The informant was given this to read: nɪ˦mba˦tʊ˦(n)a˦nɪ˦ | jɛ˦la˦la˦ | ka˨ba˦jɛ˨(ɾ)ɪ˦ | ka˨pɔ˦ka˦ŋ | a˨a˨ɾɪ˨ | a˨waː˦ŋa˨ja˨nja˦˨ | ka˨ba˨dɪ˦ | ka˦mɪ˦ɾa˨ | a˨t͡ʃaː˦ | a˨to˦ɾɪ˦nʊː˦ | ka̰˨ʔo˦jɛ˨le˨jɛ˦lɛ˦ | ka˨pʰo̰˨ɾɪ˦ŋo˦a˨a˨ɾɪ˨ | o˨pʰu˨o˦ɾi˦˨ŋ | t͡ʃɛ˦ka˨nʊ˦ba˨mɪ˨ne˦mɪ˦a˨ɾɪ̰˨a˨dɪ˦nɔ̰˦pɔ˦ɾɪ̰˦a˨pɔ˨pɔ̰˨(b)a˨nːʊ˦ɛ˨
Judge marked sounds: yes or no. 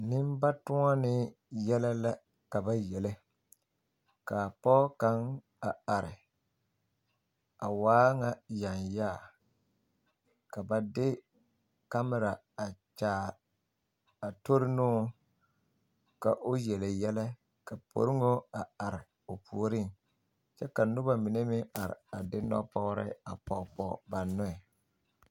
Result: no, no, yes

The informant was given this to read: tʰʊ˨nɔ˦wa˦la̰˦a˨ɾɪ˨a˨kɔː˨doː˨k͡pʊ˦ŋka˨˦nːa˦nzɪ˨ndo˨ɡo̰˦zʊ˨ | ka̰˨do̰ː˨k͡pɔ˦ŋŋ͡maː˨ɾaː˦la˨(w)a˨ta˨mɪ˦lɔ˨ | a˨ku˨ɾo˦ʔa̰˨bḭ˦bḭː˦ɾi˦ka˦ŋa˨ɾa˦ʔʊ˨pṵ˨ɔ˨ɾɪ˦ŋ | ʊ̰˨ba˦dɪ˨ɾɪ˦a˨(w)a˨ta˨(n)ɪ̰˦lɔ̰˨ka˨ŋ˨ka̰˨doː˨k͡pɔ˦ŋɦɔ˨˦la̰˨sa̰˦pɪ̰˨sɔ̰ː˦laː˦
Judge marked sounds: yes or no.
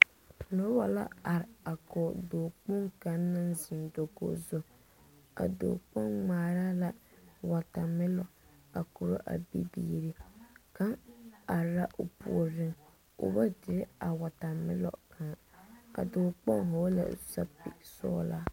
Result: yes, yes, no

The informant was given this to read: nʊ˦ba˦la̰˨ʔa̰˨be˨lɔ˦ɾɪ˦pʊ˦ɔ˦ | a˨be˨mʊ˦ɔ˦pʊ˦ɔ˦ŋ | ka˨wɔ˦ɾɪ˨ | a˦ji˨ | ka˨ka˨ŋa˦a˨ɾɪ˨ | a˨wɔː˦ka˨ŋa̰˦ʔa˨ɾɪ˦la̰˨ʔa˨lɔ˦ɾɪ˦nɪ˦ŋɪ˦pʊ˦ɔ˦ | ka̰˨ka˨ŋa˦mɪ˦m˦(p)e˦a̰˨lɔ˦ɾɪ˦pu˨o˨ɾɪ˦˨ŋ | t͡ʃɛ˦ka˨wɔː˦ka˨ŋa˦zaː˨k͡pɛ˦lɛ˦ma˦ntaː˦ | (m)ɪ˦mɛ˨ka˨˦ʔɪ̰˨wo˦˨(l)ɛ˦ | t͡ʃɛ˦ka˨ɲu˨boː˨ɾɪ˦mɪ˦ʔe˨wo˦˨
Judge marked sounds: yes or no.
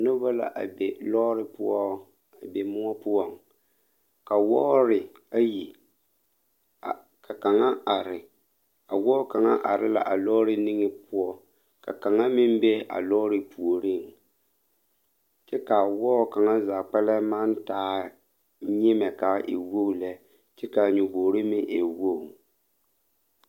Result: no, no, yes

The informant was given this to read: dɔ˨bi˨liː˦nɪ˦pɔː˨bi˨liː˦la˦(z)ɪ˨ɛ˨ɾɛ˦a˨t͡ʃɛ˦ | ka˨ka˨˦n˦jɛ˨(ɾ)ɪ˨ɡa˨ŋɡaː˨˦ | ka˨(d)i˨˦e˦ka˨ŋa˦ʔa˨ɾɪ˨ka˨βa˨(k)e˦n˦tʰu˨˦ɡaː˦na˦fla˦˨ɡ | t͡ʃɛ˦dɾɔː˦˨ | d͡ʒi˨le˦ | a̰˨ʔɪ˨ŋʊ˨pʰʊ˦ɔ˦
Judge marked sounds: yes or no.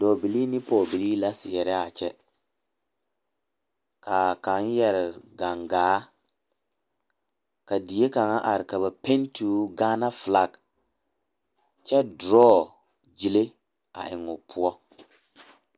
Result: no, yes, yes, no

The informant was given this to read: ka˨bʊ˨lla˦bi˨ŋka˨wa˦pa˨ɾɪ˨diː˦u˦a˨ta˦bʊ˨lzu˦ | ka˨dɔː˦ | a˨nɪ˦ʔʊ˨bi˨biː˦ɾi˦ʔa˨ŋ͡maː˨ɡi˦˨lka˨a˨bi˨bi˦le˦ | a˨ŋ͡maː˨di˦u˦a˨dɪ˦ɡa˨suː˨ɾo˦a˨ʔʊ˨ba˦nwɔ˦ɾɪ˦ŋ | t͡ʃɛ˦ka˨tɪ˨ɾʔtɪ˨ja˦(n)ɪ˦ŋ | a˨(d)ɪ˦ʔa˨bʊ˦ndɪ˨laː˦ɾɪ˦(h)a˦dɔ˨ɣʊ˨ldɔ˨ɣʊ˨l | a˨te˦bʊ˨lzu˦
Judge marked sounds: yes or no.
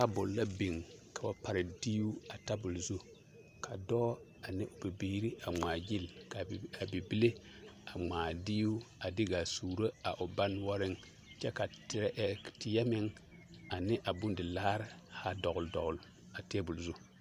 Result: no, no, yes

